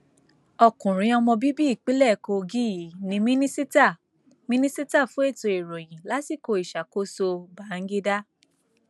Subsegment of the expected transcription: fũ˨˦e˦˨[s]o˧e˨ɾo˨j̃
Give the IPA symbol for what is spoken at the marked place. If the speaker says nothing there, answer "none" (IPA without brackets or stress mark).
t